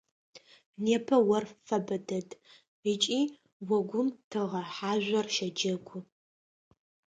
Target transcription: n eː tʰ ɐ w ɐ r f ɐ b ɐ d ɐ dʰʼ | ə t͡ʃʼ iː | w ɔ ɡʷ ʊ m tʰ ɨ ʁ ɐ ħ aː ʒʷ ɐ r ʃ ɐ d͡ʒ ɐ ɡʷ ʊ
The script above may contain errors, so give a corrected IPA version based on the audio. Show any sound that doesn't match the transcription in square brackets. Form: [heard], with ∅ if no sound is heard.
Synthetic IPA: n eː [pʰ] ɐ w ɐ r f ɐ b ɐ d ɐ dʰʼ | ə t͡ʃʼ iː | w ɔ ɡʷ ʊ m tʰ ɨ ʁ ɐ ħ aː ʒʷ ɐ r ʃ ɐ d͡ʒ ɐ ɡʷ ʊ

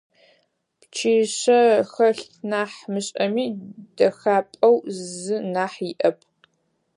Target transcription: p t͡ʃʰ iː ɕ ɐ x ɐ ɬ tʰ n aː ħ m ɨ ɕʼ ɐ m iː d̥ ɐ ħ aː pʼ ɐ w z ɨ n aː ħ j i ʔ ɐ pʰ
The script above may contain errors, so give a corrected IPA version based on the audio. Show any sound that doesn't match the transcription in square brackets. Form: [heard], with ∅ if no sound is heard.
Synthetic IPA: p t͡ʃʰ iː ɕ ɐ x ɐ ɬ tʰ n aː ħ m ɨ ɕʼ ɐ m iː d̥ ɐ [x] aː pʼ ɐ w z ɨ n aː ħ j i ʔ ɐ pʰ

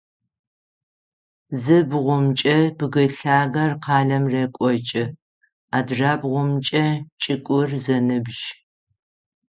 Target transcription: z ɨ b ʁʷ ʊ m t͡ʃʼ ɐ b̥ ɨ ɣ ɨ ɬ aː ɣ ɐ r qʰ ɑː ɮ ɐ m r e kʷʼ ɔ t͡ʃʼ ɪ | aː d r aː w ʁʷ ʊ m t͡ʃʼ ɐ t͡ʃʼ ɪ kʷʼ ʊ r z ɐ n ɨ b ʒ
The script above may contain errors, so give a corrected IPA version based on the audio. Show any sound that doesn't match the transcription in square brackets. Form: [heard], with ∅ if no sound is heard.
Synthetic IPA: z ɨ b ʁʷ ʊ m t͡ʃʼ ɐ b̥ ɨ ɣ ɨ ɬ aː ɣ ɐ r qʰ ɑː ɮ ɐ m r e kʷʼ ɔ t͡ʃʼ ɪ | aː d r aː [b] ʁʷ ʊ m t͡ʃʼ ɐ t͡ʃʼ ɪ kʷʼ ʊ r z ɐ n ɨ b ʒ

